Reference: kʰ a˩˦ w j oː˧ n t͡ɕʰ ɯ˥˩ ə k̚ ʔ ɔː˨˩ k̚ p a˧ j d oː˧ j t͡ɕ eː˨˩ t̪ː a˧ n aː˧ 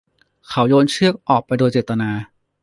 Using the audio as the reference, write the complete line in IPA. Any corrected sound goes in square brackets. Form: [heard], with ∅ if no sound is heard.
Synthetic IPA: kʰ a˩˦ w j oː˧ n t͡ɕʰ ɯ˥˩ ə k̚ ʔ ɔː˨˩ k̚ p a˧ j d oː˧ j t͡ɕ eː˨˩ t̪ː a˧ n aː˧